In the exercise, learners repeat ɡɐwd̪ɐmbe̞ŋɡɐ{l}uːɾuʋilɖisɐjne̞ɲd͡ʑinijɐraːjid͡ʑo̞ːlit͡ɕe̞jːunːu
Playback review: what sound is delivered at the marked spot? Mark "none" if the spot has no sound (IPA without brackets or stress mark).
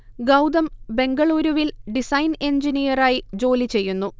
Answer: ɭ